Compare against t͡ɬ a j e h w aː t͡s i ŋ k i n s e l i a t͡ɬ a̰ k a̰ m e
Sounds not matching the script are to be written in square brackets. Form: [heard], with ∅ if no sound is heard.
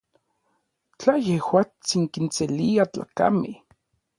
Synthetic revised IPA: t͡ɬ a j e h w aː t͡s i ŋ k i n s e l i a t͡ɬ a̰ k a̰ m e